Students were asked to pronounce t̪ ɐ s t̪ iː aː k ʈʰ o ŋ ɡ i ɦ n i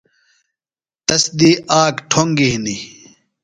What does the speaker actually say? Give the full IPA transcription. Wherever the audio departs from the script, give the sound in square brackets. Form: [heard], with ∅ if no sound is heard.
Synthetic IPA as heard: t̪ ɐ s [d̪] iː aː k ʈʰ o ŋ ɡ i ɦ n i